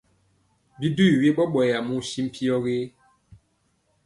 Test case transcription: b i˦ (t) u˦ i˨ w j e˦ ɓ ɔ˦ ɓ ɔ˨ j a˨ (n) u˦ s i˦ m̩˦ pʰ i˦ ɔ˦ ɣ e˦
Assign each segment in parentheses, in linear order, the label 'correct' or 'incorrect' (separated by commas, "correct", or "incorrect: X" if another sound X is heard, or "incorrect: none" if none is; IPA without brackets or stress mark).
incorrect: d, incorrect: m